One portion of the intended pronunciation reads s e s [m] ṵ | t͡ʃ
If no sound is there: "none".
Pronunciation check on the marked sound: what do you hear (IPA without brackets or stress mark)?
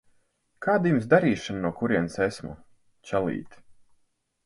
m